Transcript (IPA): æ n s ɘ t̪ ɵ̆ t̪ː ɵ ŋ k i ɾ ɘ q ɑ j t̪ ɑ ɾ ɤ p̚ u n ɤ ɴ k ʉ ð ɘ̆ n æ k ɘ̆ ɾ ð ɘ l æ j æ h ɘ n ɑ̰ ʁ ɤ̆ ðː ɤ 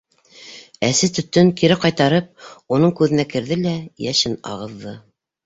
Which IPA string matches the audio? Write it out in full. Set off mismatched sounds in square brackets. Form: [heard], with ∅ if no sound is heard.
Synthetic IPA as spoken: æ [∅] s ɘ t̪ ɵ̆ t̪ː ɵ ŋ k i ɾ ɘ q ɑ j t̪ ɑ ɾ ɤ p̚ u n ɤ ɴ k ʉ ð ɘ̆ n æ k ɘ̆ ɾ ð ɘ l æ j æ [ʃ] ɘ n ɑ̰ ʁ ɤ̆ ðː ɤ